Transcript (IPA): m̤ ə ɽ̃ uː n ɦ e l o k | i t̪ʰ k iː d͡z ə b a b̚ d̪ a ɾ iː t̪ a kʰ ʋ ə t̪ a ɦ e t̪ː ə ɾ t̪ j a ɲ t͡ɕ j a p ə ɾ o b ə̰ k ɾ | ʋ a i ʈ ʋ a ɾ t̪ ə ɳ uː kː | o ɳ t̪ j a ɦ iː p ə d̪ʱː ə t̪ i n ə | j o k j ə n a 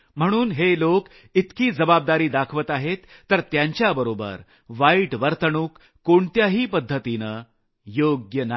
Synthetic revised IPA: m̤ ə ɽ̃ uː n ɦ e l o k | i t̪ k iː d͡z ə b a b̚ d̪ a ɾ iː d̪ a kʰ ʋ ə t̪ a ɦ e t̪ː ə ɾ t̪ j a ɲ t͡ɕ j a b ə ɾ o b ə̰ ɾ | ʋ a i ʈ ʋ ə ɾ t̪ ə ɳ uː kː | o ɳ t̪ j a ɦ iː p ə d̪ʱː ə t̪ i n ə | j o ɡ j ə n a